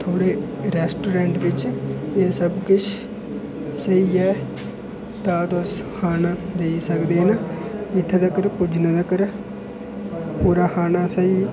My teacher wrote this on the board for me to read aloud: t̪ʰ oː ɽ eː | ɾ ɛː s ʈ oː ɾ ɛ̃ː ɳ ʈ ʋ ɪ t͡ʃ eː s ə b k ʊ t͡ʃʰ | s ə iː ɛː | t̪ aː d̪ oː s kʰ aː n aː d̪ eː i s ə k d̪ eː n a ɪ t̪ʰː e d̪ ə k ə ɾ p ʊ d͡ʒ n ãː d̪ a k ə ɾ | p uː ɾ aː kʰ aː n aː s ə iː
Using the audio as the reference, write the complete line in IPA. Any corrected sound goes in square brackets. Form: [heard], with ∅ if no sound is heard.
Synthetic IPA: t̪ʰ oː ɽ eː | ɾ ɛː s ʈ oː ɾ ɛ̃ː ɳ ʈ ʋ ɪ t͡ʃ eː s ə b k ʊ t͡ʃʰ | s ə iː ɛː | t̪ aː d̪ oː s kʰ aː n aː d̪ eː i s ə k d̪ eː n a ɪ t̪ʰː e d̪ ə k ə ɾ p ʊ d͡ʒ n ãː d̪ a k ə ɾ | p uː ɾ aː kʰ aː n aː s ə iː